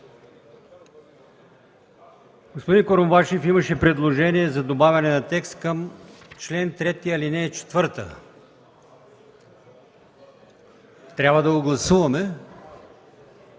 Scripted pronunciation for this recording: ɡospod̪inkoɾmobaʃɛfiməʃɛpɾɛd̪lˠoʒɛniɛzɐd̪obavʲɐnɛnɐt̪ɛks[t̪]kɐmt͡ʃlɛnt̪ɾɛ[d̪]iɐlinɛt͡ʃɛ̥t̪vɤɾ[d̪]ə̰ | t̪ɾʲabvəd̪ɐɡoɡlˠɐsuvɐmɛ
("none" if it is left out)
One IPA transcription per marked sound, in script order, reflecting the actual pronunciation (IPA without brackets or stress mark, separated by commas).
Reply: t̪, t̪, t̪